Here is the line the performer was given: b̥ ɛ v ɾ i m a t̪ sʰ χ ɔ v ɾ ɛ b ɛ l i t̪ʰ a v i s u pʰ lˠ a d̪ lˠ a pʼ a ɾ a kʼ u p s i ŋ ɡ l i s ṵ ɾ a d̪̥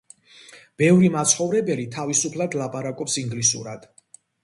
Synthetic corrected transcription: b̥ ɛ v ɾ i m a t̪ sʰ χ ɔ v ɾ ɛ b ɛ l i t̪ʰ a v i s u pʰ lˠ a d̪ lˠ a pʼ a ɾ a kʼ ɔ p s i ŋ ɡ l i s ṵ ɾ a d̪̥